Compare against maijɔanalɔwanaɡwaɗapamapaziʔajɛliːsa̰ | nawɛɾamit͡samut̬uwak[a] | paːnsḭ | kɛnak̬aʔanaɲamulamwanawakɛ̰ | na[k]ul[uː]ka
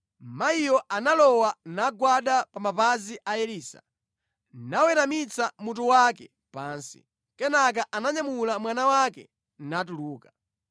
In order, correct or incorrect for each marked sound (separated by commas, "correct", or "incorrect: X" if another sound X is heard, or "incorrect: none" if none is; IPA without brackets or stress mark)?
incorrect: ɛ, incorrect: t, correct